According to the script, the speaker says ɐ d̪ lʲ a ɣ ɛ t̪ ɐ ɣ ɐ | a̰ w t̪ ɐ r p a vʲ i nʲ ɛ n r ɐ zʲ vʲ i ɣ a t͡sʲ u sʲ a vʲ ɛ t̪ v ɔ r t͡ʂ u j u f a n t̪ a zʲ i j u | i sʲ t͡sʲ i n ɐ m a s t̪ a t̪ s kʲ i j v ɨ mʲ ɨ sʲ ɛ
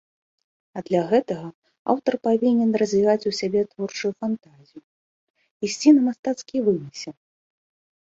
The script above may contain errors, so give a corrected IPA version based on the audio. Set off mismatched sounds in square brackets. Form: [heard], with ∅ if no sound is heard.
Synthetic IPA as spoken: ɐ d̪ lʲ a ɣ ɛ t̪ ɐ ɣ ɐ | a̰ w t̪ ɐ r p a vʲ i nʲ ɛ n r ɐ zʲ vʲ i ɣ a t͡sʲ u sʲ a [bʲ] ɛ t̪ v ɔ r t͡ʂ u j u f a n t̪ a zʲ i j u | i sʲ t͡sʲ i n ɐ m a s t̪ a t̪ s kʲ i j v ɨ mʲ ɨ sʲ ɛ